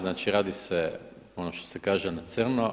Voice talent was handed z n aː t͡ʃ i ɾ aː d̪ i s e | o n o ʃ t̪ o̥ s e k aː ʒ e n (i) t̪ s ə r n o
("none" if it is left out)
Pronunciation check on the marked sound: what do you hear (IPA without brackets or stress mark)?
a